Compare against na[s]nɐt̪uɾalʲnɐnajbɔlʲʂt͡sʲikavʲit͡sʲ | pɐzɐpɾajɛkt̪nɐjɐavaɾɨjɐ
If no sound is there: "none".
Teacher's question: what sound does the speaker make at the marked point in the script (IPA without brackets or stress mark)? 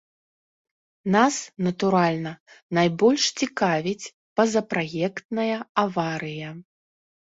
s